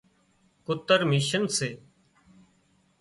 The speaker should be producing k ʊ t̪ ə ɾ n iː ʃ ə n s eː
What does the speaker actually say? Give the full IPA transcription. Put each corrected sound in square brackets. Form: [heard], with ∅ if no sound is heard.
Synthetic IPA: k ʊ t̪ ə ɾ [m] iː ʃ ə n s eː